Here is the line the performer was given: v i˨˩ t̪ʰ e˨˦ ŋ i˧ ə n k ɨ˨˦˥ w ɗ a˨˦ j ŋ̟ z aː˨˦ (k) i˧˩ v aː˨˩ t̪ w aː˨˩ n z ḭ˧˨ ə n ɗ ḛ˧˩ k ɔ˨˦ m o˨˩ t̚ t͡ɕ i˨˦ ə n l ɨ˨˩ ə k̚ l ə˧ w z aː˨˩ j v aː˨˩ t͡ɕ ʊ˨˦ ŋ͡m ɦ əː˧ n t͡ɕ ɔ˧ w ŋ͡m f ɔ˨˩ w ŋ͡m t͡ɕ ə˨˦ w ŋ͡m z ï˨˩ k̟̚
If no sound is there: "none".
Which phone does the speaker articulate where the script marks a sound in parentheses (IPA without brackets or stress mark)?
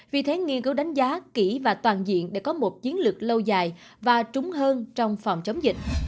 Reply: k